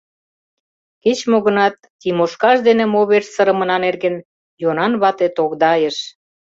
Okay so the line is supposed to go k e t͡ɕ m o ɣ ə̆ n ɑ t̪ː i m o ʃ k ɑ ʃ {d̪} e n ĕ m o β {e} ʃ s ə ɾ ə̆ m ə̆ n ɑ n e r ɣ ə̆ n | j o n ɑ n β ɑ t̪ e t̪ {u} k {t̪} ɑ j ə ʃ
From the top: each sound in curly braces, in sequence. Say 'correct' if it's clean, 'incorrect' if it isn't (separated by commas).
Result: correct, correct, incorrect, incorrect